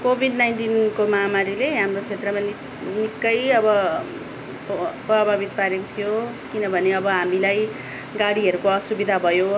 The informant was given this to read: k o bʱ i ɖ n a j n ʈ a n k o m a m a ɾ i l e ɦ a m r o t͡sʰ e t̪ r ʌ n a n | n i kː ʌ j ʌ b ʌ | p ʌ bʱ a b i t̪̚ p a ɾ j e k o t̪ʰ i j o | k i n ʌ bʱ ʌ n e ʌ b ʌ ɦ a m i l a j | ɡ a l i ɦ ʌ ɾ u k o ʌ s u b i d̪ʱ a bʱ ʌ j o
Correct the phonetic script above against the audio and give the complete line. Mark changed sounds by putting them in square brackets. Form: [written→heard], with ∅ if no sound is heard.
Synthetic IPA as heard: k o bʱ i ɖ n a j n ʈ [a→i] n k o m a m a ɾ i l e ɦ a m r o t͡sʰ e t̪ r ʌ [n→m] a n | n i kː ʌ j ʌ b ʌ | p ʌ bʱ a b i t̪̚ p a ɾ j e k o t̪ʰ i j o | k i n ʌ bʱ ʌ n e ʌ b ʌ ɦ a m i l a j | ɡ a [l→ɽ] i ɦ ʌ ɾ u k o ʌ s u b i d̪ʱ a bʱ ʌ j o